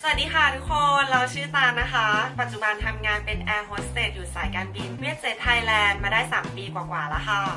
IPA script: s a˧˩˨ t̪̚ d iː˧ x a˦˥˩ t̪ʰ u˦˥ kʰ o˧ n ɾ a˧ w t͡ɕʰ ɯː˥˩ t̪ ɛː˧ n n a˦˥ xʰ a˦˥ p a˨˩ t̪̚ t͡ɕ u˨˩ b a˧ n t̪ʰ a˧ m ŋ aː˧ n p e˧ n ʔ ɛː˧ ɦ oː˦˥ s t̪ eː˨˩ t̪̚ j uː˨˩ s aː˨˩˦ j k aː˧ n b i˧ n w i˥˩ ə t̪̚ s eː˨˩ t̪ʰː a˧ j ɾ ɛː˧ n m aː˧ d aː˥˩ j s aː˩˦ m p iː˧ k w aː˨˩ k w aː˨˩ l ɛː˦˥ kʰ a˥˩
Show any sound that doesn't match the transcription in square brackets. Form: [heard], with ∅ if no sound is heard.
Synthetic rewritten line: s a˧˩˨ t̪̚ d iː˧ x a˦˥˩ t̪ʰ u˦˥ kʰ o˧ n ɾ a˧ w t͡ɕʰ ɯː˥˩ t̪ [aː˧] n n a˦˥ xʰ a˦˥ p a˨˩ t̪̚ t͡ɕ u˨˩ b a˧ n t̪ʰ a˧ m ŋ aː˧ n p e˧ n ʔ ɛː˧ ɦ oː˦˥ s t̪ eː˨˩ t̪̚ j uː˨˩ s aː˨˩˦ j k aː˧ n b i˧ n w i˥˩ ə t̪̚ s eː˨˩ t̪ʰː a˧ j [l] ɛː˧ n m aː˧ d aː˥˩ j s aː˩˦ m p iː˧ k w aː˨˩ k w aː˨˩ l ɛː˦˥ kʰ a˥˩

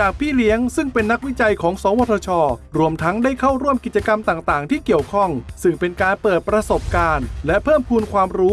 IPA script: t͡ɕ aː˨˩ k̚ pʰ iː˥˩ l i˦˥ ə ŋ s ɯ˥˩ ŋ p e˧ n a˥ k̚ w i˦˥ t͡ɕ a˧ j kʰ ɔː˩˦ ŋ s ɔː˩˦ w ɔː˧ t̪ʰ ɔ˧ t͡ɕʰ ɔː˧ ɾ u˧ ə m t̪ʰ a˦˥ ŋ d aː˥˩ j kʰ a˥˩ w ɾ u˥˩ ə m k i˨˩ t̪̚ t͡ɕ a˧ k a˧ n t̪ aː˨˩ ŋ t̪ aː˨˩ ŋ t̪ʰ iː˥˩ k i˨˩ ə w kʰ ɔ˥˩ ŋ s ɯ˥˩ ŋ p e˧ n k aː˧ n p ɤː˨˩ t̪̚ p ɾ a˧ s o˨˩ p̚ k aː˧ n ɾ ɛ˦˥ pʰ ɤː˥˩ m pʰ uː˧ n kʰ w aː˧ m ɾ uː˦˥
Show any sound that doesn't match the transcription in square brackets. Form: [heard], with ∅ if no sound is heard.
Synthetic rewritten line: t͡ɕ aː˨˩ k̚ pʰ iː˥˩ l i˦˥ ə ŋ s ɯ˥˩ ŋ p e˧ [nː] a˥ k̚ w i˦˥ t͡ɕ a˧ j kʰ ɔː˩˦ ŋ s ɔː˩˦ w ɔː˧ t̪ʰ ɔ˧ t͡ɕʰ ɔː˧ ɾ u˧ ə m t̪ʰ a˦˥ ŋ d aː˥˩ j kʰ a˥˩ w ɾ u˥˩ ə m k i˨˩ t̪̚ t͡ɕ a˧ k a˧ [m] t̪ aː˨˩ ŋ t̪ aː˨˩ ŋ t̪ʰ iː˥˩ k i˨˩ ə w kʰ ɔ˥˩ ŋ s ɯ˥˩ ŋ p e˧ n k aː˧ n p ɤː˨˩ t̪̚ p ɾ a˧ s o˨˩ p̚ k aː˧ n [l] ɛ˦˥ pʰ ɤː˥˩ m pʰ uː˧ n kʰ w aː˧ m ɾ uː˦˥

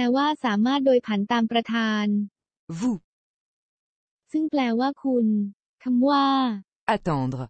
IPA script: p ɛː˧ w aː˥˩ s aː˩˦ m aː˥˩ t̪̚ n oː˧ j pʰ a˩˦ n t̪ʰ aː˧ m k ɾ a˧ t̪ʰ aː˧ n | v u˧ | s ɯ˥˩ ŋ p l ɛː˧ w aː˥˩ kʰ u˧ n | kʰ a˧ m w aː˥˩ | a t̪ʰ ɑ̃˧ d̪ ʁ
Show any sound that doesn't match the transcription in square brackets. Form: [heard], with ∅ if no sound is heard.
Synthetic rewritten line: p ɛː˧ w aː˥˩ s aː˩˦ m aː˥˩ t̪̚ [d] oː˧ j pʰ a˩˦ n [t̪] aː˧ m [p] ɾ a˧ t̪ʰ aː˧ n | v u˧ | s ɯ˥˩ ŋ p l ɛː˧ w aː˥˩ kʰ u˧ n | kʰ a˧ m w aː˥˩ | a [t̪] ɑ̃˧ d̪ ʁ

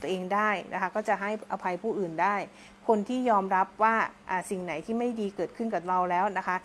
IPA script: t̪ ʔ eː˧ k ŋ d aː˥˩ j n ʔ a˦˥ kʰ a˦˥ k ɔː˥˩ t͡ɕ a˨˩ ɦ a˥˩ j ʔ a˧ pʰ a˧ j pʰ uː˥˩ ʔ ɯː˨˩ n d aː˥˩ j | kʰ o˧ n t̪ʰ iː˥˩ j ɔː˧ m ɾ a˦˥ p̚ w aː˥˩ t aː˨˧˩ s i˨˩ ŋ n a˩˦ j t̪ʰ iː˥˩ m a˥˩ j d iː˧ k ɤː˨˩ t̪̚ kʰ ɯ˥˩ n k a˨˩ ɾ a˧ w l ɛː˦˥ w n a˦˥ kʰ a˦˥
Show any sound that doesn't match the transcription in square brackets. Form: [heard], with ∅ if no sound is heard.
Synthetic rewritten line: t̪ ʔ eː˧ [∅] ŋ d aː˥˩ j n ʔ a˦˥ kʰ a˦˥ k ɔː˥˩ t͡ɕ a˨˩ ɦ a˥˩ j ʔ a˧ pʰ a˧ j pʰ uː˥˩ ʔ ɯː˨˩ n d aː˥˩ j | kʰ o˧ n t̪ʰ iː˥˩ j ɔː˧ m ɾ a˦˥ p̚ w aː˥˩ [ʔ] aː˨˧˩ s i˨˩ ŋ n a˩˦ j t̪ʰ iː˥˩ m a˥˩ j d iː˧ k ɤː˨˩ t̪̚ kʰ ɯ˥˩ n k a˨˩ ɾ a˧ w l ɛː˦˥ w n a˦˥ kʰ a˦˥

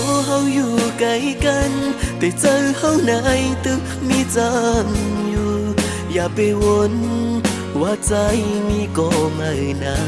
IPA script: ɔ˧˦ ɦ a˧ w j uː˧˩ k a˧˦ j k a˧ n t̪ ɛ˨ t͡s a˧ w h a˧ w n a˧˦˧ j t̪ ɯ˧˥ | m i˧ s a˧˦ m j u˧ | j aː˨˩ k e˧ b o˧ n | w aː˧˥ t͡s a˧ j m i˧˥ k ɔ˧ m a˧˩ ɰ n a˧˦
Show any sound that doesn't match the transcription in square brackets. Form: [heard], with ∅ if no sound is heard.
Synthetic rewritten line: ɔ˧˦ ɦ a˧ w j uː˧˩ k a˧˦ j k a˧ n t̪ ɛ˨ t͡s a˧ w h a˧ w n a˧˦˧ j t̪ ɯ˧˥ | m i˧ [t͡s] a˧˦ m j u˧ | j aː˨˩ [p] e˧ [w] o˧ n | w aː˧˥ t͡s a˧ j m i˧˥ k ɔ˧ m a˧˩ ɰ n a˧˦

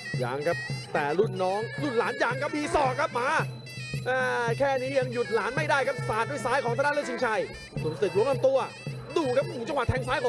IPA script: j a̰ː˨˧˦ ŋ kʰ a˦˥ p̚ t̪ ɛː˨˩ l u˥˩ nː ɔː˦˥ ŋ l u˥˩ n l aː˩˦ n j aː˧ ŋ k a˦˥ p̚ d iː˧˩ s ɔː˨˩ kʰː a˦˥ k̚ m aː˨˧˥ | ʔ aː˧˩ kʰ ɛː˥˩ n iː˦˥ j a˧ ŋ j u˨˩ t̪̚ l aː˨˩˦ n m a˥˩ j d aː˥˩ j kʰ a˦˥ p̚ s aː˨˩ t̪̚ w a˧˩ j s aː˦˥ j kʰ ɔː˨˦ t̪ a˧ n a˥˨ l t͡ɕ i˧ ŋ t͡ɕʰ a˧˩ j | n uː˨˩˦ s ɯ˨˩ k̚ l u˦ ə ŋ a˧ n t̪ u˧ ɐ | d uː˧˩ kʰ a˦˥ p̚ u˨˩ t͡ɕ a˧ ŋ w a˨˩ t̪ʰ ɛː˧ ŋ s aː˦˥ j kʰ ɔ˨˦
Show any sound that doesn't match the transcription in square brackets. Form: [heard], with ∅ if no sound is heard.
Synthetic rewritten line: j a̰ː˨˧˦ ŋ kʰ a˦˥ p̚ t̪ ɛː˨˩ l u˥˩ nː ɔː˦˥ ŋ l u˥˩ n l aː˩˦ n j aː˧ ŋ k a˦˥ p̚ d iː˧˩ s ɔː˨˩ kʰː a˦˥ [p̚] m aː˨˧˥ | ʔ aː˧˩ kʰ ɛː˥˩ n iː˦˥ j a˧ ŋ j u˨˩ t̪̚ l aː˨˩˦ n m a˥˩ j d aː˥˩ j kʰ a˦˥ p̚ s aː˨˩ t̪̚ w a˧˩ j s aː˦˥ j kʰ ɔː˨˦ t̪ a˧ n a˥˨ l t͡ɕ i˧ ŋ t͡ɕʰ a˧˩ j | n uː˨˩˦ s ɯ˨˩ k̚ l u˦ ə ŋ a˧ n t̪ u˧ ɐ | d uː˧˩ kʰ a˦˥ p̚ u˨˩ t͡ɕ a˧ ŋ w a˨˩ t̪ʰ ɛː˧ ŋ s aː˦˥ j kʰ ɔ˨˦

